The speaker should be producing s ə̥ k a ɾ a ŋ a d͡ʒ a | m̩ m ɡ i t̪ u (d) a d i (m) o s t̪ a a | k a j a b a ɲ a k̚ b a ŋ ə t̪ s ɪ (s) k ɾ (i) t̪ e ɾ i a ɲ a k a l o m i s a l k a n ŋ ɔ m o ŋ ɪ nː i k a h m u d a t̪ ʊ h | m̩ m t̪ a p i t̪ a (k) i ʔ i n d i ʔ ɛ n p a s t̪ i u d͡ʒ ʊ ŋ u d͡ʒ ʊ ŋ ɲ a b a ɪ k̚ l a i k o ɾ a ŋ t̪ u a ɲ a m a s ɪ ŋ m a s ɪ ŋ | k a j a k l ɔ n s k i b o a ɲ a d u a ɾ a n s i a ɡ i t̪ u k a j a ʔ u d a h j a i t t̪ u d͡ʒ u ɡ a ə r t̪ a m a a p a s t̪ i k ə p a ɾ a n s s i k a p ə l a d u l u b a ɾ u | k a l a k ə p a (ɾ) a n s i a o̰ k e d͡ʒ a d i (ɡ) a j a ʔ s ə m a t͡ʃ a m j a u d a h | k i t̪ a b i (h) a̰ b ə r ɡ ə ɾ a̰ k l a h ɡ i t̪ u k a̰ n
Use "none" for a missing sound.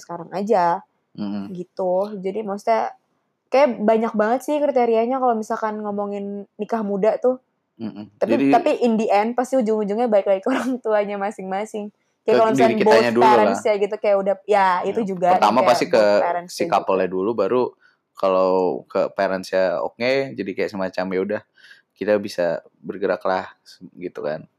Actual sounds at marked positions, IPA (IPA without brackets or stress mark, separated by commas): d͡ʒ, m, h, i, p, ɾ, k, s